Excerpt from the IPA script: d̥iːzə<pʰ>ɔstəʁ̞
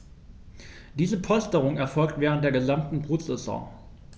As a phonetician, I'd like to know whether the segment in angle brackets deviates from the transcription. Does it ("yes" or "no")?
no